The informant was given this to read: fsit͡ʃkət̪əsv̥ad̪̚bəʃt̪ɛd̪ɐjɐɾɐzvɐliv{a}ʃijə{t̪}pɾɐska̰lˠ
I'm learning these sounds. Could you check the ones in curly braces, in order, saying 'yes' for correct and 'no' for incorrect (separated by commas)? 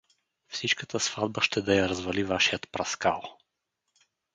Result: yes, yes